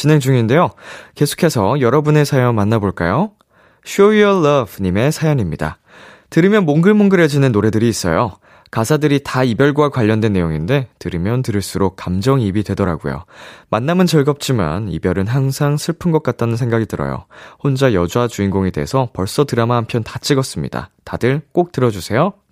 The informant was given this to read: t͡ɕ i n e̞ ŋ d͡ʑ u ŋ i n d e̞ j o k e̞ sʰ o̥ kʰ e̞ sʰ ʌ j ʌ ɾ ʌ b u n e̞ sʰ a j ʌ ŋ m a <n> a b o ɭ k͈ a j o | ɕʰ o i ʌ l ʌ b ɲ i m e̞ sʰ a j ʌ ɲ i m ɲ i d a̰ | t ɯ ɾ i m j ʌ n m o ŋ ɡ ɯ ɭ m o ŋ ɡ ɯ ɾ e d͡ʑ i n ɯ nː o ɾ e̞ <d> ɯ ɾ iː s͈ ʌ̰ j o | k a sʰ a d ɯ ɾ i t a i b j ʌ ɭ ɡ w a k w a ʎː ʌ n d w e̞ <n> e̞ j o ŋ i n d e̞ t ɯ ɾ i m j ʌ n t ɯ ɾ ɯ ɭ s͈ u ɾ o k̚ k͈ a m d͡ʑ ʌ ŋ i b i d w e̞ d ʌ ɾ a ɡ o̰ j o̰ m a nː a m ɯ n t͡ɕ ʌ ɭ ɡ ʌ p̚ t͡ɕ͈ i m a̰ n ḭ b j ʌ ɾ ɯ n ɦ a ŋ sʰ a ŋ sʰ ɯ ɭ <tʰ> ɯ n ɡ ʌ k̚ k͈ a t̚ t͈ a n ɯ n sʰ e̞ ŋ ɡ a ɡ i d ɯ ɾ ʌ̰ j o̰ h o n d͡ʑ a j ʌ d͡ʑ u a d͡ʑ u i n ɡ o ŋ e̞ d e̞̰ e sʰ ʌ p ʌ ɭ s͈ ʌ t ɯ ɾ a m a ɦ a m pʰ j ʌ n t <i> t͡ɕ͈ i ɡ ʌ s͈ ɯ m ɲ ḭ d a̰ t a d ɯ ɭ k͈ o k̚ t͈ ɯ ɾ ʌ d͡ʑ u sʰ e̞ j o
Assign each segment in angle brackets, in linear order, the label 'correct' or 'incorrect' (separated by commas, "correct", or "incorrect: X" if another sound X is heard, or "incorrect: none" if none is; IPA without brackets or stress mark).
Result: incorrect: nː, correct, incorrect: nː, incorrect: pʰ, incorrect: a